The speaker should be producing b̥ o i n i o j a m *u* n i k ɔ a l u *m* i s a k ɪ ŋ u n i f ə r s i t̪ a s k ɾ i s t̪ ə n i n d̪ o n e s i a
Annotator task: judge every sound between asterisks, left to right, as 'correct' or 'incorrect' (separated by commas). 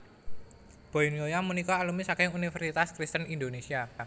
correct, correct